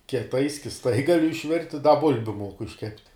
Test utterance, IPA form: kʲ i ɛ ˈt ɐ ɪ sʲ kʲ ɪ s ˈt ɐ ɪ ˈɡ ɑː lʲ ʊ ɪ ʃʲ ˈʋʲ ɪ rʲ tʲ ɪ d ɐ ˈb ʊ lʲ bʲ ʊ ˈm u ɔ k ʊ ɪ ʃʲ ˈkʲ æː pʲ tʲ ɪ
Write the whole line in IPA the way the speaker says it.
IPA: kʲ i ɛ ˈt ɐ ɪ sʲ kʲ ɪ s ˈt ɐ ɪ ˈɡ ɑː lʲ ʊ ɪ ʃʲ ˈʋʲ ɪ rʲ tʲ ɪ d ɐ ˈb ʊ lʲ bʲ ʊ ˈm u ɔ k ʊ ɪ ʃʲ ˈkʲ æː pʲ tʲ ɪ

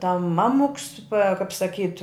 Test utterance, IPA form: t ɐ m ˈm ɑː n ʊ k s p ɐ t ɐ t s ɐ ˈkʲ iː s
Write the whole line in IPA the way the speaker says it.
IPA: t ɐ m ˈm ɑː m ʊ k s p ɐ k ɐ p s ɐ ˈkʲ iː t

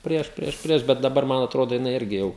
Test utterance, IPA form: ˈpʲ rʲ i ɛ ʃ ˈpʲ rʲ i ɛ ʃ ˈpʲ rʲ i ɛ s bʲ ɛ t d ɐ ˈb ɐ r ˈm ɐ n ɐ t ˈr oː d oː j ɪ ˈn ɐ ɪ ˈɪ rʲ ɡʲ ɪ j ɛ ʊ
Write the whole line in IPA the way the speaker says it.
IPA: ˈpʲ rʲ i ɛ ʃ ˈpʲ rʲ i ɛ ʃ ˈpʲ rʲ i ɛ ʃ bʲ ɛ t d ɐ ˈb ɐ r ˈm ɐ n ɐ t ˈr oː d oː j ɪ ˈn ɐ ɪ ˈɪ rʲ ɡʲ ɪ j ɛ ʊ

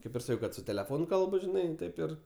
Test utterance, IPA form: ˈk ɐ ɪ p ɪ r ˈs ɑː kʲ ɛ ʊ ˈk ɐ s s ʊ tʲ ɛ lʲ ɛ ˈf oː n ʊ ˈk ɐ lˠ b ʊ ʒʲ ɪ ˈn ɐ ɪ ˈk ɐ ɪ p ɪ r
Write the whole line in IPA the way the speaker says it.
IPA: ˈk ɐ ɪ p ɪ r ˈs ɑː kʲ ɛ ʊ ˈk ɐ t s ʊ tʲ ɛ lʲ ɛ ˈf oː n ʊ ˈk ɐ lˠ b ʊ ʒʲ ɪ ˈn ɐ ɪ ˈt ɐ ɪ p ɪ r

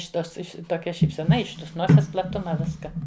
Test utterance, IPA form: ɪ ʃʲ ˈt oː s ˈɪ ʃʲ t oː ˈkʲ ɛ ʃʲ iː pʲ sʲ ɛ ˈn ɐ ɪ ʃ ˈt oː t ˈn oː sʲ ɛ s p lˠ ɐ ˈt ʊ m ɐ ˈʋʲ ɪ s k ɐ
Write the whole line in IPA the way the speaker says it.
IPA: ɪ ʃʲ ˈt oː s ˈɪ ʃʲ t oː ˈkʲ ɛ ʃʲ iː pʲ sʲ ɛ ˈn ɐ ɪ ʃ ˈt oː s ˈn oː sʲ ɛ s p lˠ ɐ ˈt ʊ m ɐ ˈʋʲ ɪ s k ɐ

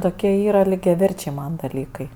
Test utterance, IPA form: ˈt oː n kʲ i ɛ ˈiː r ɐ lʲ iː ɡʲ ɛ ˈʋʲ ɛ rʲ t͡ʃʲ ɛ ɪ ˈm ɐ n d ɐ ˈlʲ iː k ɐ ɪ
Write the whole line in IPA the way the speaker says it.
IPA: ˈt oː kʲ i ɛ ˈiː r ɐ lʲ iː ɡʲ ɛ ˈʋʲ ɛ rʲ t͡ʃʲ ɛ ɪ ˈm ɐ n d ɐ ˈlʲ iː k ɐ ɪ

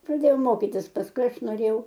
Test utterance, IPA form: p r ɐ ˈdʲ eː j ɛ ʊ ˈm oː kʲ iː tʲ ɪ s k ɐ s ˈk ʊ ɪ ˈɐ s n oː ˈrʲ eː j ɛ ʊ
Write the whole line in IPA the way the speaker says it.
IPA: p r ɐ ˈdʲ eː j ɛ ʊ ˈm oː kʲ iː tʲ ɪ s p ɐ s ˈk ʊ ɪ ˈɐ ʃ n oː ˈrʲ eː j ɛ ʊ

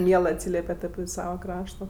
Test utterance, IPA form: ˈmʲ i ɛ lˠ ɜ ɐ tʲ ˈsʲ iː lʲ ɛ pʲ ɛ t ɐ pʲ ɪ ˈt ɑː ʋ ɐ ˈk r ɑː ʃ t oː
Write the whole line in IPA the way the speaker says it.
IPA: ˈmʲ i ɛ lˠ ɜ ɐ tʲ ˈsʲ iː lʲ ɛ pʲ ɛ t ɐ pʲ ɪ ˈs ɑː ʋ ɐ ˈk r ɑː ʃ t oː

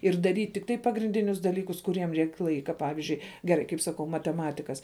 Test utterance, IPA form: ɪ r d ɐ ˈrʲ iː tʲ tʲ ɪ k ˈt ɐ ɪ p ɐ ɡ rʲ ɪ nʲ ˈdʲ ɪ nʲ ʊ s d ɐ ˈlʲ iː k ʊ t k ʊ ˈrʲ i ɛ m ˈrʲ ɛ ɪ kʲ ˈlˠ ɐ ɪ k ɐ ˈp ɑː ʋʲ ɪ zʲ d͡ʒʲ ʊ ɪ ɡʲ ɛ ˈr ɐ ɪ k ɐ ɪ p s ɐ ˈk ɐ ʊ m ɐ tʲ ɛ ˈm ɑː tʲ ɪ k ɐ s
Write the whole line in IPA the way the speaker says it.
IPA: ɪ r d ɐ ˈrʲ iː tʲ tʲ ɪ k ˈt ɐ ɪ p ɐ ɡ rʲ ɪ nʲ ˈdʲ ɪ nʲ ʊ s d ɐ ˈlʲ iː k ʊ s k ʊ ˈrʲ i ɛ m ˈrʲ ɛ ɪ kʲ ˈlˠ ɐ ɪ k ɐ ˈp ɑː ʋʲ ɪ zʲ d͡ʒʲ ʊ ɪ ɡʲ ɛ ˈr ɐ ɪ k ɐ ɪ p s ɐ ˈk ɐ ʊ m ɐ tʲ ɛ ˈm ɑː tʲ ɪ k ɐ s

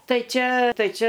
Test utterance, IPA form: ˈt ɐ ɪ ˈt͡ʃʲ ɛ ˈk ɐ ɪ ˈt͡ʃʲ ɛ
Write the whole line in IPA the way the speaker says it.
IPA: ˈt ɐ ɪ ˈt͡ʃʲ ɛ ˈt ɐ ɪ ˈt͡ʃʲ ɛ

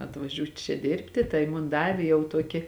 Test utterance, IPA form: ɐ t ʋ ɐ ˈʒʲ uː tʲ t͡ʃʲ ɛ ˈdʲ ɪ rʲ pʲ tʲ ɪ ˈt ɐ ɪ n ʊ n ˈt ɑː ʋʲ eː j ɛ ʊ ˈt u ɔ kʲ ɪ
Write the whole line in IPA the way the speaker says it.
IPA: ɐ t ʋ ɐ ˈʒʲ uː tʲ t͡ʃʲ ɛ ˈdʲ ɪ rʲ pʲ tʲ ɪ ˈt ɐ ɪ m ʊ n ˈd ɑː ʋʲ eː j ɛ ʊ ˈt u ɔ kʲ ɪ

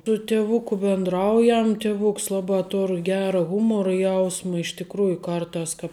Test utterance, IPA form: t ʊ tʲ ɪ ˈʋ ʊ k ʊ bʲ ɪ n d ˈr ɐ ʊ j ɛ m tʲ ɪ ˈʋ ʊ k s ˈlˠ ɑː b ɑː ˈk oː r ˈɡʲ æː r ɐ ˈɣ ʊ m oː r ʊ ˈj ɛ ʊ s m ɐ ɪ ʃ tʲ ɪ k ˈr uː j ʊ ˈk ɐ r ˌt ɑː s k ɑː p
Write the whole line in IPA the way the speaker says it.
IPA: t ʊ tʲ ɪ ˈʋ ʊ k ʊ bʲ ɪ n d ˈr ɐ ʊ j ɛ m tʲ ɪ ˈʋ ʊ k s ˈlˠ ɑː b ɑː ˈt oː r ˈɡʲ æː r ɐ ˈɣ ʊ m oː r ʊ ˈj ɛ ʊ s m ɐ ɪ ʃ tʲ ɪ k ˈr uː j ʊ ˈk ɐ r ˌt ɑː s k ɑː p

